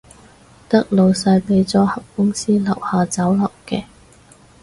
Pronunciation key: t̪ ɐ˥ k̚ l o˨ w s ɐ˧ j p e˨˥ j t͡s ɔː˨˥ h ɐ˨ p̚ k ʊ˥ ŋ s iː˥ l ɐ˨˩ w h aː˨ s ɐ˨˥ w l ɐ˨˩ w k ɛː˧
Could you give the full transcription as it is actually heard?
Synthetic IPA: t̪ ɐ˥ k̚ l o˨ w s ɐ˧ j p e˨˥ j t͡s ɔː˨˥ h ɐ˨ p̚ k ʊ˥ ŋ s iː˥ l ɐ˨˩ w h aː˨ t͡s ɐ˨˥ w l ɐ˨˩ w k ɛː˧